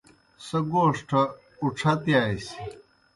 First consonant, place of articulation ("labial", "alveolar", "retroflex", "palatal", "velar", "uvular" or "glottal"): alveolar